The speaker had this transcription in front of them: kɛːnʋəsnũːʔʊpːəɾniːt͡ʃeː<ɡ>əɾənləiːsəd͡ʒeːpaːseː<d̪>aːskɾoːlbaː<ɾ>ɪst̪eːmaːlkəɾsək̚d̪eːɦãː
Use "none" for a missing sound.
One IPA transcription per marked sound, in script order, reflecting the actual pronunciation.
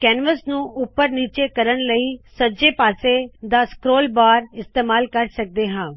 k, d̪, ɾ

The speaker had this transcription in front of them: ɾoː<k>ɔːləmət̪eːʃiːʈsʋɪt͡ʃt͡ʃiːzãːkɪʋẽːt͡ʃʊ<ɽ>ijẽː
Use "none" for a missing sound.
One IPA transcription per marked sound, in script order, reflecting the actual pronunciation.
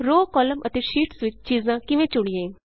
k, ɽ

